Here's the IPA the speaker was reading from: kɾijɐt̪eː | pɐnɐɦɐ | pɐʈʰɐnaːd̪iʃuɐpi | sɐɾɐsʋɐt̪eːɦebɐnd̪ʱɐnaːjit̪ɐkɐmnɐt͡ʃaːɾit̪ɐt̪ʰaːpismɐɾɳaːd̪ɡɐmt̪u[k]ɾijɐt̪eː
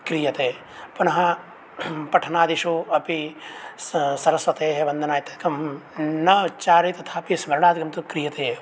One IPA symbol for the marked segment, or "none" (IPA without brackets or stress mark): k